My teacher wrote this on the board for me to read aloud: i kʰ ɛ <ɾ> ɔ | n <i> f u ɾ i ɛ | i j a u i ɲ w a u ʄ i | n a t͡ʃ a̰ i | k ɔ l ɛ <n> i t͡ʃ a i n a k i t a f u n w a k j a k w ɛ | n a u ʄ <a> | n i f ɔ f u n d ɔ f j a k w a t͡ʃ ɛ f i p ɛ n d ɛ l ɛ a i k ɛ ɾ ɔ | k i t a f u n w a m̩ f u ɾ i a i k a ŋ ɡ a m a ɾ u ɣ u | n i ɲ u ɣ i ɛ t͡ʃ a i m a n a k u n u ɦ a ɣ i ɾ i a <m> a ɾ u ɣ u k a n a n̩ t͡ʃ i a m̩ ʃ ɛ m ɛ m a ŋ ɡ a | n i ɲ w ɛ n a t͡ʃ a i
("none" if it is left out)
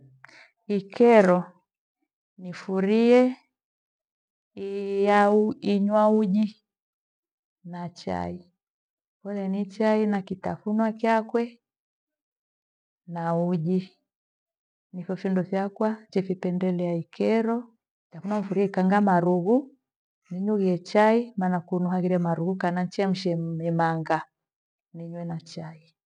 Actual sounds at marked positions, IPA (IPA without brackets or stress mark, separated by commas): ɾ, i, n, i, m